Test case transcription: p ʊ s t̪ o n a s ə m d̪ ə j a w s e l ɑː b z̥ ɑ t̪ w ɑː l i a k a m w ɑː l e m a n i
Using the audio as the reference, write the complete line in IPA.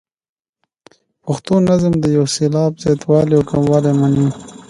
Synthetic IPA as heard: p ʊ x t̪ o n a z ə m d̪ ə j a w s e l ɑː b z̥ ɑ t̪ w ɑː l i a k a m w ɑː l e m a n i